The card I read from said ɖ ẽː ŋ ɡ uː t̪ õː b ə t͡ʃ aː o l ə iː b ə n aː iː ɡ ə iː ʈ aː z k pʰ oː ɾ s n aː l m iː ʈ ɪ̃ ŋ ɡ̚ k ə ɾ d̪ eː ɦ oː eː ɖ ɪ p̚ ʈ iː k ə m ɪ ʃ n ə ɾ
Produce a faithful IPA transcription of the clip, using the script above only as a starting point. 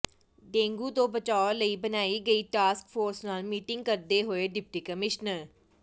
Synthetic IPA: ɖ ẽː ŋ ɡ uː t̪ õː b ə t͡ʃ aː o l ə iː b ə n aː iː ɡ ə iː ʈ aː s k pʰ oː ɾ s n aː l m iː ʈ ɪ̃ ŋ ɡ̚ k ə ɾ d̪ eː ɦ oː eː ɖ ɪ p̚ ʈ iː k ə m ɪ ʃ n ə ɾ